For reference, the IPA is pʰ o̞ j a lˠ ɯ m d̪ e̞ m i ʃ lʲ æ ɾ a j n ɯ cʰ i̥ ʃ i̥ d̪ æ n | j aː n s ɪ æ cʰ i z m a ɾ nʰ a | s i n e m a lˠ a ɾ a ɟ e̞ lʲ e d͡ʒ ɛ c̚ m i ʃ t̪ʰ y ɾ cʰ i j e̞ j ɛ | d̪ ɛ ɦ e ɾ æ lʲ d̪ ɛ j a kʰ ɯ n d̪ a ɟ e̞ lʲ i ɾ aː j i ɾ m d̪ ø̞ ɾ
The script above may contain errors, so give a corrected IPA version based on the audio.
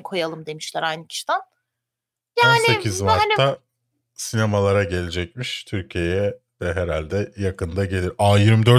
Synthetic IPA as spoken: kʰ o̞ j a lˠ ɯ m d̪ e̞ m i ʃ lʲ æ ɾ a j n ɯ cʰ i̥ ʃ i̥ d̪ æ n | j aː n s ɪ e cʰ i z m a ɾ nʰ a | s i n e m a lˠ a ɾ a ɟ e̞ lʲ e d͡ʒ ɛ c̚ m i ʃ t̪ʰ y ɾ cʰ i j e̞ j ɛ | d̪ ɛ ɦ e ɾ a lʲ d̪ ɛ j a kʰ ɯ n d̪ a ɟ e̞ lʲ i ɾ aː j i ɾ m d̪ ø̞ ɾ